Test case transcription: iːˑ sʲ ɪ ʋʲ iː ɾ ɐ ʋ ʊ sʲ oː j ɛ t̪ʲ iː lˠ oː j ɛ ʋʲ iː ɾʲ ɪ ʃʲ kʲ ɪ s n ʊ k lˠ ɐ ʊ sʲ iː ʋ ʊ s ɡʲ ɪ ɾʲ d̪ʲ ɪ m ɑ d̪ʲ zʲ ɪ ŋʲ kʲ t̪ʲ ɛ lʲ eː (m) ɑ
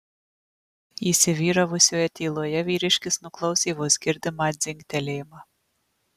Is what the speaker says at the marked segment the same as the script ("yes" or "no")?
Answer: yes